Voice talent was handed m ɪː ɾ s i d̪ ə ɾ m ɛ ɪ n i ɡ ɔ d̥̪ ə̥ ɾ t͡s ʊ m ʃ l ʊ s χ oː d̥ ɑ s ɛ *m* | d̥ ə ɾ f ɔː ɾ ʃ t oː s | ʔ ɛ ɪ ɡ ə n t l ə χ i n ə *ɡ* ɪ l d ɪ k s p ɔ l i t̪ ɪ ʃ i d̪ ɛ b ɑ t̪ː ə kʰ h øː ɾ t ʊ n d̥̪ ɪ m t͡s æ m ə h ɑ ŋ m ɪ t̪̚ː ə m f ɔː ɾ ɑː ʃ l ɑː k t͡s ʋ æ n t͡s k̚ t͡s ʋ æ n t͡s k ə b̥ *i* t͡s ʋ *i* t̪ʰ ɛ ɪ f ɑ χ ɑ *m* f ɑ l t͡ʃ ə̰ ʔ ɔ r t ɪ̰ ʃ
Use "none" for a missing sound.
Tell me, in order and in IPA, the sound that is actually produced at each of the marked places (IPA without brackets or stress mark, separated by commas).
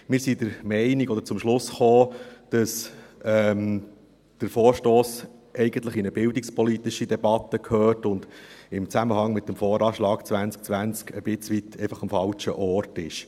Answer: m, b, ɪ, i, m